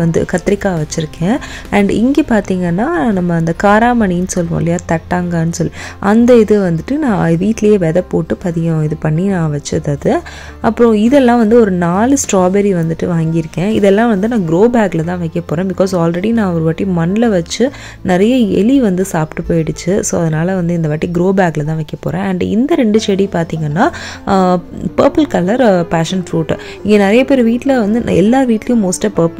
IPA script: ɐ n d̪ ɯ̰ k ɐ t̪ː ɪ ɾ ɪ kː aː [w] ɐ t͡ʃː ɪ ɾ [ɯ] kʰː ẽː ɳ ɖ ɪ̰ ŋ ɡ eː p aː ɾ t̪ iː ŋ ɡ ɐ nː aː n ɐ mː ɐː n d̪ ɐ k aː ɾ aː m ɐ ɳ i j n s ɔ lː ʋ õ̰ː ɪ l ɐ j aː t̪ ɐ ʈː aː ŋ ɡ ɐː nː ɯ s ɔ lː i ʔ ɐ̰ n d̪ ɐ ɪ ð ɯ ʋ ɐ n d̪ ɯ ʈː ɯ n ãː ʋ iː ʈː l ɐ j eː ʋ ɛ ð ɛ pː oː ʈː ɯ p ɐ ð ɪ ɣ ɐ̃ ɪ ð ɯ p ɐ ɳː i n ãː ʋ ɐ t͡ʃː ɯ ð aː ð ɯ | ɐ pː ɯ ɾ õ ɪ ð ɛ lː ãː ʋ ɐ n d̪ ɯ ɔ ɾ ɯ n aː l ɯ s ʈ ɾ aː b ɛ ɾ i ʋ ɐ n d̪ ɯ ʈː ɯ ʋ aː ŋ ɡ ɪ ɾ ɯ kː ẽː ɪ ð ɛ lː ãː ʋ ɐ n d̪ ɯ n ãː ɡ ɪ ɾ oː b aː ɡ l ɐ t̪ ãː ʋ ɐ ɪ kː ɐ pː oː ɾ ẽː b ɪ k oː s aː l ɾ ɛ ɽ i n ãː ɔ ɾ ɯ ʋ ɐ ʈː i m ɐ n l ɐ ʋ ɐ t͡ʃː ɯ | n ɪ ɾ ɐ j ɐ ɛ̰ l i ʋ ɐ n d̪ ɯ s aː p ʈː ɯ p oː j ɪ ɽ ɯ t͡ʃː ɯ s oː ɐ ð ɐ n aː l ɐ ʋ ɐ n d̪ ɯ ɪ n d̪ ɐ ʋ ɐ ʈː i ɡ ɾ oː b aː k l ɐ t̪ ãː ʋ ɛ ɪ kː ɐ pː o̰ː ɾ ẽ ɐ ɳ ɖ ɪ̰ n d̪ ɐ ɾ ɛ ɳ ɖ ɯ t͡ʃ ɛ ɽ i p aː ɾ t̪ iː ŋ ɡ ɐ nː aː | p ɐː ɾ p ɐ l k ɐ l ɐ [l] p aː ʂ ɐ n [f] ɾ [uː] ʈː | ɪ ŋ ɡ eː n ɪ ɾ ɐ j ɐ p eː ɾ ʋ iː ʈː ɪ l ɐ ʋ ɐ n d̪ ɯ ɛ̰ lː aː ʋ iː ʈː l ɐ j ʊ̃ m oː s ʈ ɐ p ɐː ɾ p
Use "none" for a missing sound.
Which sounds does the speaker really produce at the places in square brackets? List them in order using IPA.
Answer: ʋ, ɯ, ɾ, f, uː

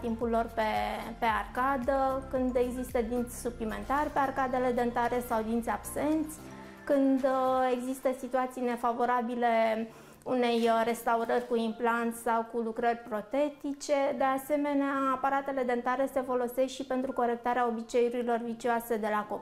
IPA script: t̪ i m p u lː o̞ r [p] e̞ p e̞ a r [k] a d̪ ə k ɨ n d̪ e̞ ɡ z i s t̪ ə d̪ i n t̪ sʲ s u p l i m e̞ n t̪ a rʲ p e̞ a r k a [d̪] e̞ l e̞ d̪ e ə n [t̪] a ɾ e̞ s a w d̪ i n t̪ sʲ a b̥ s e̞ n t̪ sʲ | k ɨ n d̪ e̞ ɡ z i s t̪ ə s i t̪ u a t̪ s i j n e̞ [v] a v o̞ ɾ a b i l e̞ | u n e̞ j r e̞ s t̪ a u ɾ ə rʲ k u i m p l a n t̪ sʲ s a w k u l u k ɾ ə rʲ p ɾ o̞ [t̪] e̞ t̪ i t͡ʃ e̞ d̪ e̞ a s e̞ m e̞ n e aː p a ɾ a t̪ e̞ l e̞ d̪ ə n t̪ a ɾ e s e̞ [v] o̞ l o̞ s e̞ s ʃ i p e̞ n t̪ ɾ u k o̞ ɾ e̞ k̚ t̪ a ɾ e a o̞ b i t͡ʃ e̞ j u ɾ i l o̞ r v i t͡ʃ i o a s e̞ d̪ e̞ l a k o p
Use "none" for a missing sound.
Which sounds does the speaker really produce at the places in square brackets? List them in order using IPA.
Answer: p, k, d̪, t̪, f, t̪, f

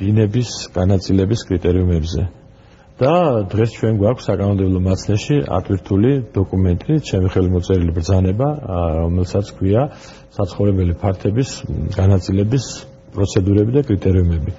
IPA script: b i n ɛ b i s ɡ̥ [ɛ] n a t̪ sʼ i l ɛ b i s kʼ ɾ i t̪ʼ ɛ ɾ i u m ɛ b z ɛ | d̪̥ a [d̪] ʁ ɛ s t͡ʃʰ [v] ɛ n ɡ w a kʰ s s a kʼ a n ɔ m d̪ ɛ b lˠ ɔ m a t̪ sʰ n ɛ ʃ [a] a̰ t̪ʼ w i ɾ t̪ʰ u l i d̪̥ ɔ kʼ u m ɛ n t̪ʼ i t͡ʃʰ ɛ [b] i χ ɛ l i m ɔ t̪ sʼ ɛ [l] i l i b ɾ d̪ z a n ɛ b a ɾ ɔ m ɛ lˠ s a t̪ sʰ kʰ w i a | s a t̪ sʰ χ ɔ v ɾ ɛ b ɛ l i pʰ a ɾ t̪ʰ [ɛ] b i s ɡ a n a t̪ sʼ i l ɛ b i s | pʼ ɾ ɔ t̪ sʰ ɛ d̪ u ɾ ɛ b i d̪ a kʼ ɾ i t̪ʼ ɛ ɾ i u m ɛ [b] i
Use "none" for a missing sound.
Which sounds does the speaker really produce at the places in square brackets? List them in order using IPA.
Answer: a, d̪, w, i, m, ɾ, ɛ, b

